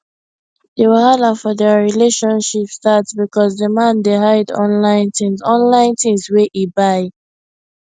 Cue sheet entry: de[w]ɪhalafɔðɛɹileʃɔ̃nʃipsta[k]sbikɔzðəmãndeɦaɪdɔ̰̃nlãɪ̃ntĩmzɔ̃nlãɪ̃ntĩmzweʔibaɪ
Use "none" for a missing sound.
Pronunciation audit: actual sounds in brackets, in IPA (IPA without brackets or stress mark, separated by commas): w, t